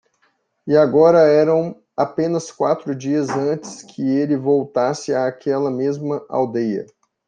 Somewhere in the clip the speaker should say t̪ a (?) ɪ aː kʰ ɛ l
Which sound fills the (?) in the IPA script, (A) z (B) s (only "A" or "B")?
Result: B